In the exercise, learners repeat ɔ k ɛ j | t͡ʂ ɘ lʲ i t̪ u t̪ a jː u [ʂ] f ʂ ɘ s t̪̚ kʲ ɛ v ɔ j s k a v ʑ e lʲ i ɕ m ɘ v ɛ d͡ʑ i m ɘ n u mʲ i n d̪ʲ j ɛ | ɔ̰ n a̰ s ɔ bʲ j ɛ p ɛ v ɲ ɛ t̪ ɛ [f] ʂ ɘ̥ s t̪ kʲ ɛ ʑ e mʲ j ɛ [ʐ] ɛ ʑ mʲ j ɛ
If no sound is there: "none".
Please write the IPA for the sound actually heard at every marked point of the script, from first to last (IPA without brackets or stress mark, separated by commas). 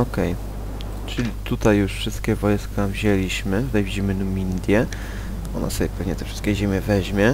ʂ, f, v